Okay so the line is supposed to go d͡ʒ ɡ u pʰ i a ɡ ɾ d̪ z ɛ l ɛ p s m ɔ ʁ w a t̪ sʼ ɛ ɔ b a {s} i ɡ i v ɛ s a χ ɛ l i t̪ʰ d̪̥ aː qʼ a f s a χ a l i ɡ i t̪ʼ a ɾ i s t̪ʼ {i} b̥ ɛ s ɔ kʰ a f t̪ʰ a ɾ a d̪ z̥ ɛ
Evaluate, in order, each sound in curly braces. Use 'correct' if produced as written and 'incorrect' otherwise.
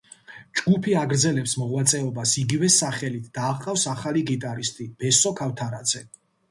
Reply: correct, correct

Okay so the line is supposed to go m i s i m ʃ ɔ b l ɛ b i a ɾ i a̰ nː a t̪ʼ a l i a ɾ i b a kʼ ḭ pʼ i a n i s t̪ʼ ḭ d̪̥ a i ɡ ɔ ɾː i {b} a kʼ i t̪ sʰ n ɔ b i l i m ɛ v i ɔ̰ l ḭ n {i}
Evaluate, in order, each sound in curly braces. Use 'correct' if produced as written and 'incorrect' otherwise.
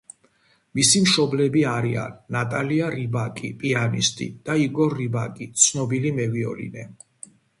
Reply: correct, incorrect

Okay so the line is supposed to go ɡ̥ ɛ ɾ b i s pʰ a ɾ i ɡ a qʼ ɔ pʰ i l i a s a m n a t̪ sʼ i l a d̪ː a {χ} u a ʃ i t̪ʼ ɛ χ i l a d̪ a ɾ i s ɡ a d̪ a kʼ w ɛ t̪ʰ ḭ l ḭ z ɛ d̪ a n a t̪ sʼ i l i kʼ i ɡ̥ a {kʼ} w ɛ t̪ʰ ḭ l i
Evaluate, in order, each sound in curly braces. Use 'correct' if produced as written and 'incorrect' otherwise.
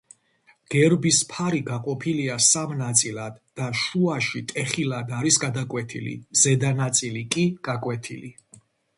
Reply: incorrect, correct

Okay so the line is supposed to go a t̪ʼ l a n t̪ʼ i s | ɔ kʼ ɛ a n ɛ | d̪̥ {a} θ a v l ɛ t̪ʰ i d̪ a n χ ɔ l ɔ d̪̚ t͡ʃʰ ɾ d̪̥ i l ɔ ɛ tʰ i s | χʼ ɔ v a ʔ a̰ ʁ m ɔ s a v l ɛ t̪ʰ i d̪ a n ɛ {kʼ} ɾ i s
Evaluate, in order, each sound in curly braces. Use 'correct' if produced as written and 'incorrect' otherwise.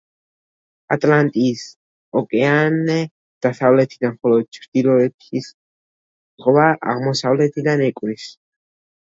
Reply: correct, correct

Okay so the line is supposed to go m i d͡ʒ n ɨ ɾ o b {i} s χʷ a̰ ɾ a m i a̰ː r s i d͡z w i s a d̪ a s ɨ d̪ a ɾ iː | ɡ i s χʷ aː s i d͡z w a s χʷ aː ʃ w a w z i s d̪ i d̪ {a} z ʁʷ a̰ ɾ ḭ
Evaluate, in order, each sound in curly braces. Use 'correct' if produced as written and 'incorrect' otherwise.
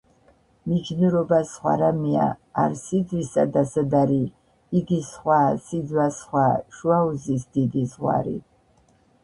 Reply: incorrect, incorrect

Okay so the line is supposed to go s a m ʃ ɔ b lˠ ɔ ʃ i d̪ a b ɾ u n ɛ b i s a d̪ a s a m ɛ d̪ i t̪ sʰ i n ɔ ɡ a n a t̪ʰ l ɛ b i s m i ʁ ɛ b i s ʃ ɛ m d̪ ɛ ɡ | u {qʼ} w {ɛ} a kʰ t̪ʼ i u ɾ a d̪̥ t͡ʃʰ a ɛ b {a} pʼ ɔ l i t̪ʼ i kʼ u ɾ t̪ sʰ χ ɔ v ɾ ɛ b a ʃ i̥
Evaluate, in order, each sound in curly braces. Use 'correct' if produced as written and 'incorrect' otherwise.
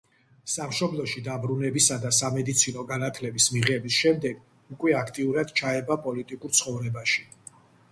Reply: incorrect, correct, correct

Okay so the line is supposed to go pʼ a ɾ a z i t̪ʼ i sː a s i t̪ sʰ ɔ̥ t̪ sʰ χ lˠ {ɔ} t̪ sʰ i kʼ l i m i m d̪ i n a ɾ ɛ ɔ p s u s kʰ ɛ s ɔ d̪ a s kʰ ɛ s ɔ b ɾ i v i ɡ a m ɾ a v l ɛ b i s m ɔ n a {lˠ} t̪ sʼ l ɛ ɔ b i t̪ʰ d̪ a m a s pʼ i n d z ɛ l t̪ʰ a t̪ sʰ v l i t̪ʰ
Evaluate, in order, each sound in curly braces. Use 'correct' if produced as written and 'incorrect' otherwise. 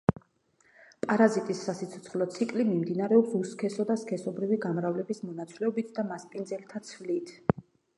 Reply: correct, incorrect

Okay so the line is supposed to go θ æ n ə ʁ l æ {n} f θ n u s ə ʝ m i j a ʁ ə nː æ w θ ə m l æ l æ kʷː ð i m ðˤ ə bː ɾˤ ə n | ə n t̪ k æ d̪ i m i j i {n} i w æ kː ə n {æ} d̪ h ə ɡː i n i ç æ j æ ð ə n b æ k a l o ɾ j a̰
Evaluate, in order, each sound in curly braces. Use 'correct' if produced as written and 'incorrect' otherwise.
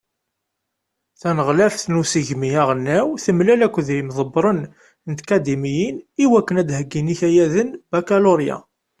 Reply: incorrect, correct, correct

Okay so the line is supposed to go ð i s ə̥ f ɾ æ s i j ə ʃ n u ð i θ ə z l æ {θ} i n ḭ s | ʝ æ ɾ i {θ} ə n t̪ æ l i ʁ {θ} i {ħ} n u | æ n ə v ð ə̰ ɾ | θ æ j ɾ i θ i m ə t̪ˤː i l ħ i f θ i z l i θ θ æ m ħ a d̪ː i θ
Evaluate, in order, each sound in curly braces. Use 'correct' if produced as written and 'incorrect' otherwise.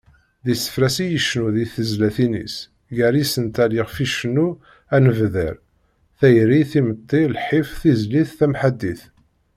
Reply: correct, incorrect, incorrect, incorrect

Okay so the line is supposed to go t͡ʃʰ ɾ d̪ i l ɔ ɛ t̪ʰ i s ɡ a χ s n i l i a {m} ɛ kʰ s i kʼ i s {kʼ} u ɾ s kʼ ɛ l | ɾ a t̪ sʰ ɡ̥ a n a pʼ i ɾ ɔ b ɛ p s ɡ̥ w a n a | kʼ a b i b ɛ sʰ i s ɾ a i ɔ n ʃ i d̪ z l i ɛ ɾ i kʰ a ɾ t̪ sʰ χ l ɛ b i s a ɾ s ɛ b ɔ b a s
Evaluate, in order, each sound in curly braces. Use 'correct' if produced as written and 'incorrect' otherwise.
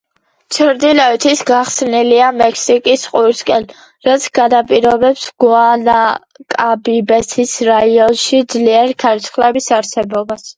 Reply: correct, incorrect

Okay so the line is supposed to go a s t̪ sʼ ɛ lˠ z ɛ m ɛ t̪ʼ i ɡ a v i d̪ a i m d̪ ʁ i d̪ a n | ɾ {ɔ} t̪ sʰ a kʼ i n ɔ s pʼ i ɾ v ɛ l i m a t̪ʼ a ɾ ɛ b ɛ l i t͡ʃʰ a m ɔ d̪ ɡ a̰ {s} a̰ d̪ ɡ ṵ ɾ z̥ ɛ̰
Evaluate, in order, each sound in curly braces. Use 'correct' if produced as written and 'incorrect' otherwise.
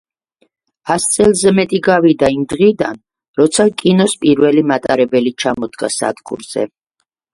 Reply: correct, correct

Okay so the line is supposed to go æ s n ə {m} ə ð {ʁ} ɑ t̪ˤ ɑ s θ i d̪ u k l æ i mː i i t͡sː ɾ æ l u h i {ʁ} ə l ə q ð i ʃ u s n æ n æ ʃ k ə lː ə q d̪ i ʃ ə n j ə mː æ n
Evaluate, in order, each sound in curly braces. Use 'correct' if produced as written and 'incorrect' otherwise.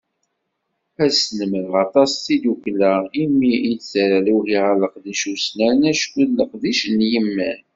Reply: correct, correct, correct

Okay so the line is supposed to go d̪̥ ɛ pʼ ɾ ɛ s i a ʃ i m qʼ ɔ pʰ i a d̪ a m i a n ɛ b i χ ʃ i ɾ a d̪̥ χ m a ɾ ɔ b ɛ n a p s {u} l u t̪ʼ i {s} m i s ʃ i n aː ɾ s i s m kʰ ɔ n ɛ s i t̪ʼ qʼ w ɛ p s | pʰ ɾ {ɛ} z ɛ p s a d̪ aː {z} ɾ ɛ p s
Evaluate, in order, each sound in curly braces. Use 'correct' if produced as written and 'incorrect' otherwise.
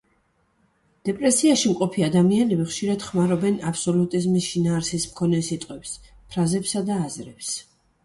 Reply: incorrect, incorrect, incorrect, correct

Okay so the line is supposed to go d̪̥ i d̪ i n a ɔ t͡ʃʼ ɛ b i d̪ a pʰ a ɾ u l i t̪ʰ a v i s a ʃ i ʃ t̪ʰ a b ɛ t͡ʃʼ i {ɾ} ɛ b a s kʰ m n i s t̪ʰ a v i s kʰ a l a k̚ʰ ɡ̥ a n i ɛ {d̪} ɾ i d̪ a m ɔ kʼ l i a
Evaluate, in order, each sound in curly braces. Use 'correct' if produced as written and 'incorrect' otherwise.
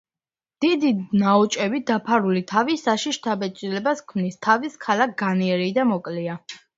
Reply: incorrect, incorrect

